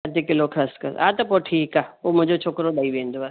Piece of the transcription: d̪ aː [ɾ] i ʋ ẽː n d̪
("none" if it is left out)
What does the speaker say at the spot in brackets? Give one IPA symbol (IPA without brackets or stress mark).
none